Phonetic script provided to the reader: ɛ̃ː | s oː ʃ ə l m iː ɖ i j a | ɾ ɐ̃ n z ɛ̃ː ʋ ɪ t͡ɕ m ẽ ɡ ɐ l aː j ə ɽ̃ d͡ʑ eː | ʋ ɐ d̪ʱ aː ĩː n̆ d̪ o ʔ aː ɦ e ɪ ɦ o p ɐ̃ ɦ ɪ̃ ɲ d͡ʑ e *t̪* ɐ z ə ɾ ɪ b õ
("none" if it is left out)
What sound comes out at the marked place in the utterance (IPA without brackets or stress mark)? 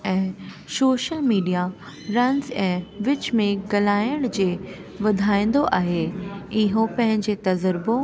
t̪